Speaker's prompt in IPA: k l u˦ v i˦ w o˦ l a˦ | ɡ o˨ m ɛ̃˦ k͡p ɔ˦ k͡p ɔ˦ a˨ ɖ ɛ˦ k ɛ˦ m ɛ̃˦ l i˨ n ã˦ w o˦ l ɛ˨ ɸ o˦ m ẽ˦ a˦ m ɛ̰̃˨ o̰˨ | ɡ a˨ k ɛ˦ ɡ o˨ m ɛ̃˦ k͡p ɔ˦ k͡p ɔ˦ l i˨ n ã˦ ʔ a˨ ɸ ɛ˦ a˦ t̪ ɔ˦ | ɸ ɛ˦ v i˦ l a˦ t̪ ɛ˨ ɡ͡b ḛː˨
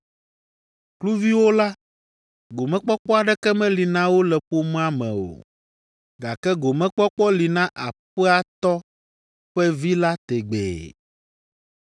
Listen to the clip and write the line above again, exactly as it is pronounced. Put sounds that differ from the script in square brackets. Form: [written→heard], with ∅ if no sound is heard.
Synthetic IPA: k l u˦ v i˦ w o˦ l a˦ | ɡ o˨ m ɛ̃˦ k͡p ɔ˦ k͡p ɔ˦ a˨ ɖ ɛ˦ k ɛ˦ m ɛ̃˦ l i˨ n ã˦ w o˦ l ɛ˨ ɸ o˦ m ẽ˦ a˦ m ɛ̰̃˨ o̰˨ | ɡ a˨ k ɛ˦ ɡ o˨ m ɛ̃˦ k͡p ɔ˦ k͡p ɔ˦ l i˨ n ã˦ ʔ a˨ ɸ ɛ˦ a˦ t̪ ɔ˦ | ɸ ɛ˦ v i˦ l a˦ t̪ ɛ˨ ɡ͡b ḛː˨